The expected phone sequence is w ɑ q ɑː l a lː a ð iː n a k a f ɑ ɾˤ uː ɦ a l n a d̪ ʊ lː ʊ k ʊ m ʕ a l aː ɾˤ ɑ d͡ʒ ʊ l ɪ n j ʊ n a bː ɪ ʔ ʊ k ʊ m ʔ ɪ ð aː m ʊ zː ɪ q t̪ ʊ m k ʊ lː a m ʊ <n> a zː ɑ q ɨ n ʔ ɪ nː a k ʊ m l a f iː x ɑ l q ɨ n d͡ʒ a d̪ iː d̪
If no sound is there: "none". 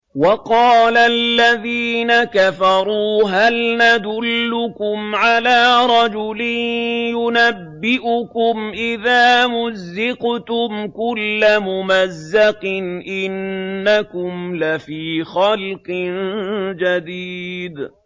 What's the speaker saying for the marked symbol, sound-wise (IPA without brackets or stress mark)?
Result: m